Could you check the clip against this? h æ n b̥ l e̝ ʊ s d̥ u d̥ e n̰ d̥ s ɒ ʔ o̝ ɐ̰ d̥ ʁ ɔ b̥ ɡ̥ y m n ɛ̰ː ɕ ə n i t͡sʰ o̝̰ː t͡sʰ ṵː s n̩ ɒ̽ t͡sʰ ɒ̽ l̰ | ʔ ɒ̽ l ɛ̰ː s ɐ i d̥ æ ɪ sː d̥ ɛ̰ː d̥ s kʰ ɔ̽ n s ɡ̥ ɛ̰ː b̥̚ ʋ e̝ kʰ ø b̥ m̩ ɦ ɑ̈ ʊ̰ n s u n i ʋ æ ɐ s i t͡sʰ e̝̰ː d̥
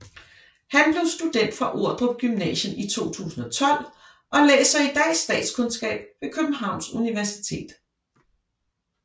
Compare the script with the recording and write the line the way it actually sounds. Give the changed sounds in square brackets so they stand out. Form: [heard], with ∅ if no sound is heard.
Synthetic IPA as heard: h æ n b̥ l e̝ ʊ s d̥ u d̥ e n̰ d̥ [f] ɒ ʔ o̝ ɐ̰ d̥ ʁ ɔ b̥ ɡ̥ y m n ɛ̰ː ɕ ə n i t͡sʰ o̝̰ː t͡sʰ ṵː s n̩ ɒ̽ t͡sʰ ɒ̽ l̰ | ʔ ɒ̽ l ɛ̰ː s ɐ i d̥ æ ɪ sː d̥ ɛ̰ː d̥ s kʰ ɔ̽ n s ɡ̥ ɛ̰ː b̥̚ ʋ e̝ kʰ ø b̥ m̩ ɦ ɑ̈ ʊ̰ n s u n i ʋ æ ɐ s i t͡sʰ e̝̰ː d̥